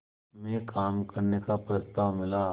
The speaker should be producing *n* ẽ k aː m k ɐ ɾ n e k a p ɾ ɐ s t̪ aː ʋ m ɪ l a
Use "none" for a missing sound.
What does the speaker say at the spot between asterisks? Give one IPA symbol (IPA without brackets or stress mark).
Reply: m